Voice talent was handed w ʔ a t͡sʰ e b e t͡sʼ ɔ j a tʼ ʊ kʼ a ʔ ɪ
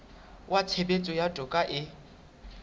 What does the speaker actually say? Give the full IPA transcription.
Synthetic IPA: w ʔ a t͡sʰ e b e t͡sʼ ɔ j a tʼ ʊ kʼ a ʔ ɪ

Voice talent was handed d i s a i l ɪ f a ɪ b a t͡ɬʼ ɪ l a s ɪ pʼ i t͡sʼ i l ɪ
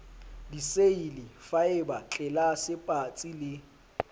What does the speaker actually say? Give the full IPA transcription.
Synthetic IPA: d i s e i l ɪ f a ɪ b a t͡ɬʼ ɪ l a s ɪ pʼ a t͡sʼ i l ɪ

